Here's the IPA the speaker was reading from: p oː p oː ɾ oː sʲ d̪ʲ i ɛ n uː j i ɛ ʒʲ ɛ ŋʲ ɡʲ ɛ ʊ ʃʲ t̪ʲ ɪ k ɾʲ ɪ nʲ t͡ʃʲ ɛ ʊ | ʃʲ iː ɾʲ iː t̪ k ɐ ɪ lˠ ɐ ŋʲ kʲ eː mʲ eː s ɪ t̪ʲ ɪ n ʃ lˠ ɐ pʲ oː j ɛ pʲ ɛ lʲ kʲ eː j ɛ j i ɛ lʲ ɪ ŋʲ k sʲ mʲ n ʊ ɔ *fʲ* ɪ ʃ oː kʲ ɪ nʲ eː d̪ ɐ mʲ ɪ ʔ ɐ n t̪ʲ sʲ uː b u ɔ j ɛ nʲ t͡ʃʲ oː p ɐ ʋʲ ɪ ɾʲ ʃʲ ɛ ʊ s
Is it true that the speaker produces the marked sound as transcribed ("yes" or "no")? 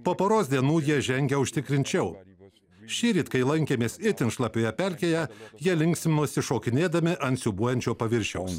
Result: no